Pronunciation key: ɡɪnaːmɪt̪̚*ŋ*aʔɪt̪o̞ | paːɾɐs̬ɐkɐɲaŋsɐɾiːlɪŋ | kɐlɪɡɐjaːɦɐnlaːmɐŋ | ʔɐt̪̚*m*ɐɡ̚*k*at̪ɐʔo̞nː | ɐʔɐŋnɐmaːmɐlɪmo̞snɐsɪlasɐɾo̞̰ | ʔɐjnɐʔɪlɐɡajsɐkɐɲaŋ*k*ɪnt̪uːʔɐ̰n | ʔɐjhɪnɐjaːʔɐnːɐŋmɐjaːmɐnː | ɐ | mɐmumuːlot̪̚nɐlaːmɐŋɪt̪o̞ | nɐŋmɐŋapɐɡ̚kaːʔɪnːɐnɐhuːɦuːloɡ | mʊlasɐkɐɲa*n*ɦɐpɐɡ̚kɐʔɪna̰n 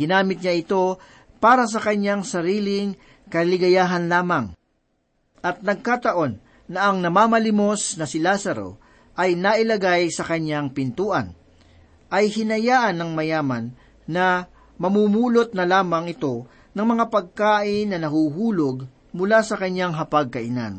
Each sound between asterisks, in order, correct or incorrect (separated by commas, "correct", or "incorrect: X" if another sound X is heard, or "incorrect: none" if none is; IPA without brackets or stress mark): incorrect: ɲ, incorrect: n, correct, incorrect: p, incorrect: ŋ